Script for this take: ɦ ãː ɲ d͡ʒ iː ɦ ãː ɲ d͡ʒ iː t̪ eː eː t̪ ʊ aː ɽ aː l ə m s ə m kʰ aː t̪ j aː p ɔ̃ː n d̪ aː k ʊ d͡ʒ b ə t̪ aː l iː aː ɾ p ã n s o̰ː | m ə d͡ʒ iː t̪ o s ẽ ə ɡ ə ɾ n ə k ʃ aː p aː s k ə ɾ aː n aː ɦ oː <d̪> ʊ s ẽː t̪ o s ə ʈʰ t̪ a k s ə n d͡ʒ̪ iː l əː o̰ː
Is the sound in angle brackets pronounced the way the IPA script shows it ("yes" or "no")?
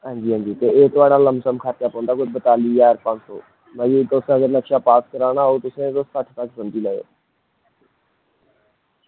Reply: no